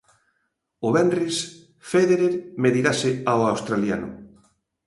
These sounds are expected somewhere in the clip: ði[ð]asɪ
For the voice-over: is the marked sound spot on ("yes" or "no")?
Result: no